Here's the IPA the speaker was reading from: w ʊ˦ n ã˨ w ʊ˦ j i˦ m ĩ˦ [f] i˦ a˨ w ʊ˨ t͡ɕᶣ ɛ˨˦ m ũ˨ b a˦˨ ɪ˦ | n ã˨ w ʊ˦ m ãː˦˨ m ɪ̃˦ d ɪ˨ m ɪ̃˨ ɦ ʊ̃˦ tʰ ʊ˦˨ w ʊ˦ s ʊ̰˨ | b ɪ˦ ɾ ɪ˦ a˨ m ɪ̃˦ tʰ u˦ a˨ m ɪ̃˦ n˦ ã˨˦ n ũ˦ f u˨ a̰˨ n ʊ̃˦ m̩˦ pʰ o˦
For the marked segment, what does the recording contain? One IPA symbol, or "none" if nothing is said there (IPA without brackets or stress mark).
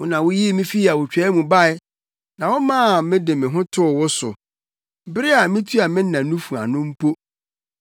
f